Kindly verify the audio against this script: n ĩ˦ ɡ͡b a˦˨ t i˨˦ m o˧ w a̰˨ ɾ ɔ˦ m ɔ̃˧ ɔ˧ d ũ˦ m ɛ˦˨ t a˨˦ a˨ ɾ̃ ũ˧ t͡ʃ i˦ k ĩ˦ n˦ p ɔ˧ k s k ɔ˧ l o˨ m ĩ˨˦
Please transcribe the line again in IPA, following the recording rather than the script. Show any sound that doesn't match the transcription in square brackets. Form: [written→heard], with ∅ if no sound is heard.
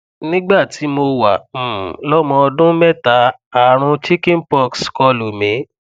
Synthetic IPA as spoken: n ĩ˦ ɡ͡b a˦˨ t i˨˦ m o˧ w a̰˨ [ɾ→l] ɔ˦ m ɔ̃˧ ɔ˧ d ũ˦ m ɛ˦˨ t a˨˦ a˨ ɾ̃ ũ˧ t͡ʃ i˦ k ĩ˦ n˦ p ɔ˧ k s k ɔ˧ l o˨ m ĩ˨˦